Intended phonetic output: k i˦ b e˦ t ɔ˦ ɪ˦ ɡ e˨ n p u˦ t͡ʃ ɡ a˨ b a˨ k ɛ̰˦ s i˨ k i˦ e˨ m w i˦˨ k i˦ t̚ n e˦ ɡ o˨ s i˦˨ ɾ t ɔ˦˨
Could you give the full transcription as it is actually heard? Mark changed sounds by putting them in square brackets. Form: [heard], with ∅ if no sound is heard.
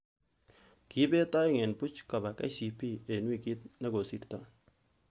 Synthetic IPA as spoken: k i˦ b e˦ t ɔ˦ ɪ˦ [ŋ] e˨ n p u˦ t͡ʃ [k] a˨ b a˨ k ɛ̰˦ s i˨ [p] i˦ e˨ [n] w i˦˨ k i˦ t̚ n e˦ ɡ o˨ s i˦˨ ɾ t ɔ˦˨